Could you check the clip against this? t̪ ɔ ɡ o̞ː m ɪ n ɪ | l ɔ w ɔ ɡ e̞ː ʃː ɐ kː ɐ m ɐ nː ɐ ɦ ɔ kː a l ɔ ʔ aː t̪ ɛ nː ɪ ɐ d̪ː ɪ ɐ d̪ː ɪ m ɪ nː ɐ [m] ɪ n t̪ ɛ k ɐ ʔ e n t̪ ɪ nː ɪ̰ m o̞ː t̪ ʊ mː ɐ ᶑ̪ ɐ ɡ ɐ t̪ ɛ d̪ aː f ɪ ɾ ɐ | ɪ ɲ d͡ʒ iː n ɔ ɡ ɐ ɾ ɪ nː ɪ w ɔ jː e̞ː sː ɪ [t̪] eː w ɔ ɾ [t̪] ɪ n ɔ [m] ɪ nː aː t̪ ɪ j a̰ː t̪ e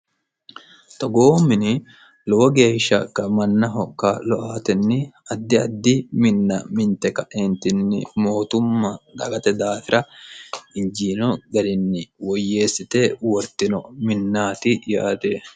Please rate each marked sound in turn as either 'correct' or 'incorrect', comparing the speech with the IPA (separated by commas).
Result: correct, correct, correct, correct